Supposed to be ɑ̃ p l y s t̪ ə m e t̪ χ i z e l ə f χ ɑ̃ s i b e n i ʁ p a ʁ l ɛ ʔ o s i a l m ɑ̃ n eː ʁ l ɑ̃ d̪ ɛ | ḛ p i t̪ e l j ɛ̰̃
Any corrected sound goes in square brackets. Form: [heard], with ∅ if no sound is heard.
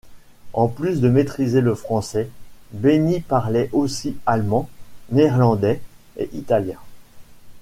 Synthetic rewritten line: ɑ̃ p l y s [d̪] ə m e t̪ χ i z e l ə f χ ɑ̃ s [ɛ] b e n i [∅] p a ʁ l ɛ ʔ o s i a l m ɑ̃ n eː ʁ l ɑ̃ d̪ ɛ | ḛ [ʔ] i t̪ [a] l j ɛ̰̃

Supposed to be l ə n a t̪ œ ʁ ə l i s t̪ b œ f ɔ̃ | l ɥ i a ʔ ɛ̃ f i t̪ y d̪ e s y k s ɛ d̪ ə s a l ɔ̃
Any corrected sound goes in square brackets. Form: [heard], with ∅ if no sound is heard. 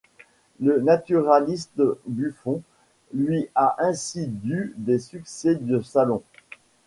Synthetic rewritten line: l ə n a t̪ [y] ʁ [a] l i s t̪ b [y] f ɔ̃ | l ɥ i a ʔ ɛ̃ [s] i [d̪] y d̪ e s y k s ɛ d̪ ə s a l ɔ̃

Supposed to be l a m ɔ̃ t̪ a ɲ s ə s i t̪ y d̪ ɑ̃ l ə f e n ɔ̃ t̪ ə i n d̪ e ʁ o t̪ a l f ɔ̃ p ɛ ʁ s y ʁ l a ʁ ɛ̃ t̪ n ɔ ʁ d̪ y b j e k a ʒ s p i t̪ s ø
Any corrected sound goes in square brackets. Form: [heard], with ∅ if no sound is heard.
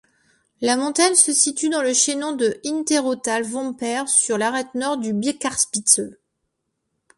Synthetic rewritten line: l a m ɔ̃ t̪ a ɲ s ə s i t̪ y d̪ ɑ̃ l ə [ʃ] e n ɔ̃ [d̪] ə i n [t̪] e ʁ o t̪ a l [v] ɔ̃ p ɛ ʁ s y ʁ l a ʁ [ɛ] t̪ n ɔ ʁ d̪ y b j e k a [ʁ] s p i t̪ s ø

